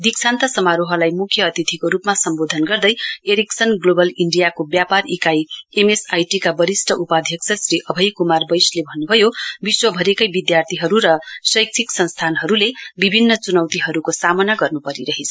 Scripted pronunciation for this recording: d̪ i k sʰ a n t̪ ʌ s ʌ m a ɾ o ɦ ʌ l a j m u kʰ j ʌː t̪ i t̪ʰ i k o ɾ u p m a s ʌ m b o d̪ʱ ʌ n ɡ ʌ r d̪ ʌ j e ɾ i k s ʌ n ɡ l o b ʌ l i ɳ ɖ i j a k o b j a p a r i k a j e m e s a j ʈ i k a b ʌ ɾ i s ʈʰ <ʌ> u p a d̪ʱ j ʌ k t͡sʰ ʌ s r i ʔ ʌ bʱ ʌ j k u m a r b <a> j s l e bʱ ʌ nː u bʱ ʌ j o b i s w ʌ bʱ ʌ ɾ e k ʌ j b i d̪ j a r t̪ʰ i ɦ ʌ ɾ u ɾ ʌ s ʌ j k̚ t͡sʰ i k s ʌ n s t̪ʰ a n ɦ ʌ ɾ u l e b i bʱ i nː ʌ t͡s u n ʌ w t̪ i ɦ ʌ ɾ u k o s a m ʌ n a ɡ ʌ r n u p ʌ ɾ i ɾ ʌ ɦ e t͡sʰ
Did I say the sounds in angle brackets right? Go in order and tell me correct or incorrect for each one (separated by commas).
correct, incorrect